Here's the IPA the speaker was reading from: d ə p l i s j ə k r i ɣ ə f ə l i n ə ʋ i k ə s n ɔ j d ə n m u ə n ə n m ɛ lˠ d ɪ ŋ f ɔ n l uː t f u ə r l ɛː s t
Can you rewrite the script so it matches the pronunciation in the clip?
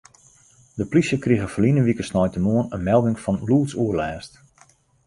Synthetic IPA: d ə p l i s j ə k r i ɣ ə f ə l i n ə ʋ i k ə s n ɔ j t ə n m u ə n ə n m ɛ lˠ d ɪ ŋ f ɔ n l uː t s u ə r l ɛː s t